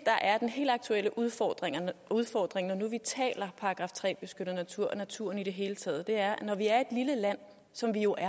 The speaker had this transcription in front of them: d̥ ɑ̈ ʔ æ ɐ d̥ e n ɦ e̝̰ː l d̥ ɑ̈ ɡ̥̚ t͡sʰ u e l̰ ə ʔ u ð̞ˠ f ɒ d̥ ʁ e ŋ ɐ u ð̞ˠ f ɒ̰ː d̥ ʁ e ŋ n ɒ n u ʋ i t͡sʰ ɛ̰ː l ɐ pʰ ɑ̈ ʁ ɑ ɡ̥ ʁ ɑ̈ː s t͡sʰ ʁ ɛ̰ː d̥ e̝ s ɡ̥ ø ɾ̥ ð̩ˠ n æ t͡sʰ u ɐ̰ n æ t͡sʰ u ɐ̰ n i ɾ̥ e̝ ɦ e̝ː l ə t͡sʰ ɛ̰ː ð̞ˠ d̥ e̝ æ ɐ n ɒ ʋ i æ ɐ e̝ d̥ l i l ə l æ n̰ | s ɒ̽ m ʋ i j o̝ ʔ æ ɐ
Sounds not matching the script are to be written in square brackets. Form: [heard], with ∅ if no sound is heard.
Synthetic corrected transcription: d̥ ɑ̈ ʔ æ ɐ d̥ e n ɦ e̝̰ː l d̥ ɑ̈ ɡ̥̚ t͡sʰ u e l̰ ə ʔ u ð̞ˠ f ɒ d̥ ʁ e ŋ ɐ u ð̞ˠ f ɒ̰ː d̥ ʁ e ŋ n ɒ n u ʋ i t͡sʰ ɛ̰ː l ɐ pʰ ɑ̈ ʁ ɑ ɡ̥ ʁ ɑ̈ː [f] t͡sʰ ʁ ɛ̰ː [b̥] e̝ s ɡ̥ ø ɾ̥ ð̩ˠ n æ t͡sʰ u ɐ̰ n æ t͡sʰ u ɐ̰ n i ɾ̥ e̝ ɦ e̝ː l ə t͡sʰ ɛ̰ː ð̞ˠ d̥ e̝ æ ɐ n ɒ ʋ i æ ɐ e̝ d̥ l i l ə l æ n̰ | s ɒ̽ m ʋ i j o̝ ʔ æ ɐ